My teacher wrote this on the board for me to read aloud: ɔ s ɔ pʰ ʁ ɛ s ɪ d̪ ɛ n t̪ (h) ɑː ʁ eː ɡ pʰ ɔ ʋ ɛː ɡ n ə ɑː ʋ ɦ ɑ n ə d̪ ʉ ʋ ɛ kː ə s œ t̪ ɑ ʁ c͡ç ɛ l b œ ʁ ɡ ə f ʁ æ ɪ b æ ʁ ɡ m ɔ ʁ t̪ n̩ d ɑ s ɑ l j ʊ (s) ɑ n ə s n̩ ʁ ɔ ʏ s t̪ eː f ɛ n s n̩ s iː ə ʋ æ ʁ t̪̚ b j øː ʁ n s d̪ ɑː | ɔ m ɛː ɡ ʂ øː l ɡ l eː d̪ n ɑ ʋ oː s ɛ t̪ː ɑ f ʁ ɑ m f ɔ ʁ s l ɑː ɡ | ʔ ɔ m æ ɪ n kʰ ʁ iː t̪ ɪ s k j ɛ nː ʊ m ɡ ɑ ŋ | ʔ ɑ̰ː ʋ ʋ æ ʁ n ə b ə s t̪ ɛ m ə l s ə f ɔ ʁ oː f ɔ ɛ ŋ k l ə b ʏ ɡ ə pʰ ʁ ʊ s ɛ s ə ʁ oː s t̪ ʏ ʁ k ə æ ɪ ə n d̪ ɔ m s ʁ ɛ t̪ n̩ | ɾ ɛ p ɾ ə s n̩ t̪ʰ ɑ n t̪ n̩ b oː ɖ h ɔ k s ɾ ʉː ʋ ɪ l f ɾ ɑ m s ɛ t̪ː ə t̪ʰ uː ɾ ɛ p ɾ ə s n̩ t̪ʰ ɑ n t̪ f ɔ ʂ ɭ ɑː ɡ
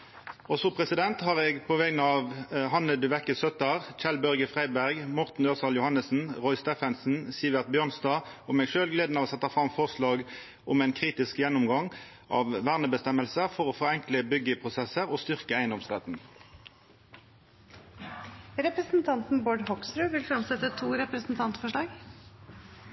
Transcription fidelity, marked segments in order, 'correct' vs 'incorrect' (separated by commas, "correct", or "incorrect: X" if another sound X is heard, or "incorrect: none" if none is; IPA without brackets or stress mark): correct, incorrect: h